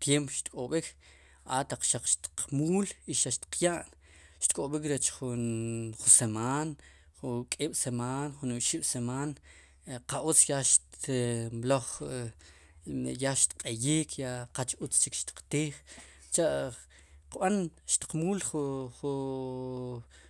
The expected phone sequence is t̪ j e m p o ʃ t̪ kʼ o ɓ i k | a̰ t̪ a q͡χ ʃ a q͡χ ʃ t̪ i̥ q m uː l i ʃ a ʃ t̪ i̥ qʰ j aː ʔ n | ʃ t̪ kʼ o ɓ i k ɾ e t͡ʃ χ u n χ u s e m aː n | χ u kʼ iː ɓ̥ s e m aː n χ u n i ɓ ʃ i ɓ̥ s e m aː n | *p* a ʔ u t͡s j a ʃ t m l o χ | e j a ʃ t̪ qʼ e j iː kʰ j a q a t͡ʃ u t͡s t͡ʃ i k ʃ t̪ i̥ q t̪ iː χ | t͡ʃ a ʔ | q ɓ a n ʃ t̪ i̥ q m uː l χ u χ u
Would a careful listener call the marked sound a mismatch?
yes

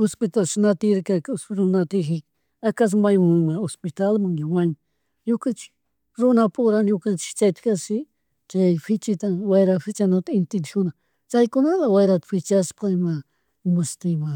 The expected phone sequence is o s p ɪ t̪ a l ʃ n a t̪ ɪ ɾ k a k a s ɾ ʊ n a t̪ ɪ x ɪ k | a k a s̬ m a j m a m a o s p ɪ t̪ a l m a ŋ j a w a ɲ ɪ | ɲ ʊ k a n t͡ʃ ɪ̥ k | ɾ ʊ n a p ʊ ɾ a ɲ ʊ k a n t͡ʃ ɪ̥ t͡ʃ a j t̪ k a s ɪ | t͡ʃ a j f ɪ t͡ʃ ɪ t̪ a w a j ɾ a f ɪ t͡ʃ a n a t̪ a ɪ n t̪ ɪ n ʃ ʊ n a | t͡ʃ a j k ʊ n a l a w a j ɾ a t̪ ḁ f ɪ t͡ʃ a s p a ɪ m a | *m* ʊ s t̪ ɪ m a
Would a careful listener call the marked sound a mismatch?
no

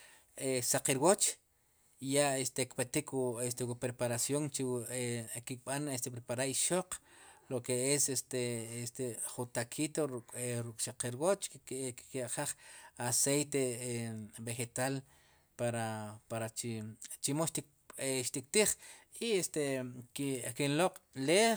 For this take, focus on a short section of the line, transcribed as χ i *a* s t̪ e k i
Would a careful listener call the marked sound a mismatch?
yes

